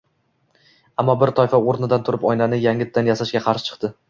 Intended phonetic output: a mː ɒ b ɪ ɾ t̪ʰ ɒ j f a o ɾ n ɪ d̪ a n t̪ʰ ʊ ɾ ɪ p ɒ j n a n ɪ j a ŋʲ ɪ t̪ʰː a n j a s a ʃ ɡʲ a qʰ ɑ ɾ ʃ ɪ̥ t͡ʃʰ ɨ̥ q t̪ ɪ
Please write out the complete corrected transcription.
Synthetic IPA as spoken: a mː ɒ b ɪ ɾ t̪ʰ ɒ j f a o ɾ n ɪ d̪ a n t̪ʰ ʊ ɾ ɪ p ɒ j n a n ɪ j a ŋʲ ɪ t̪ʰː a n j a s a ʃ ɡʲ a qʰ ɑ ɾ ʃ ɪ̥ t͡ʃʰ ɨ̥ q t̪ ɪ